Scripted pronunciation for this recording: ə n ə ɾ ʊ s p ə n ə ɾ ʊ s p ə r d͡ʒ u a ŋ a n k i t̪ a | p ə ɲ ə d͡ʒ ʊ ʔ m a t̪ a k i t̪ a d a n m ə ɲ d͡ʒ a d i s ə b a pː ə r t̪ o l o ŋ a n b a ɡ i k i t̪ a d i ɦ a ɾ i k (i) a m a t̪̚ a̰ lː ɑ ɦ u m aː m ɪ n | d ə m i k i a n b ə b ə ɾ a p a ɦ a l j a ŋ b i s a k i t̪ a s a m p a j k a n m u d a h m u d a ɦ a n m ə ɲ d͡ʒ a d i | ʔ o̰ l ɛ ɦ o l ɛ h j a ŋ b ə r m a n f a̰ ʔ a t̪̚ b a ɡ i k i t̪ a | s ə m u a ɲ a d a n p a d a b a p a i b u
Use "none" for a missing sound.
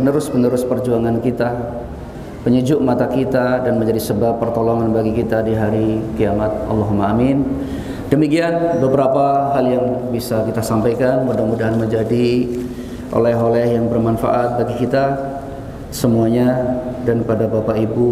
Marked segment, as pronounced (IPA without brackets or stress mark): i